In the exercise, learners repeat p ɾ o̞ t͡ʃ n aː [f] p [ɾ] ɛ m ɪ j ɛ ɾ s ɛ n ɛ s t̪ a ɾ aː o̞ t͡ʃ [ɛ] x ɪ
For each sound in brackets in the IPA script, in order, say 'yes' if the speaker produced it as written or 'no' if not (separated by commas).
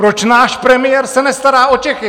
no, yes, yes